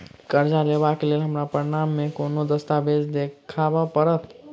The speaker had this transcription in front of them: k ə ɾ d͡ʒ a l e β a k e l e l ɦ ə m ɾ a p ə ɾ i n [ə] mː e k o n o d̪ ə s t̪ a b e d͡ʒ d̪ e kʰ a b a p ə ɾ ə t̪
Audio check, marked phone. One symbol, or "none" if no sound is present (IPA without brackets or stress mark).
a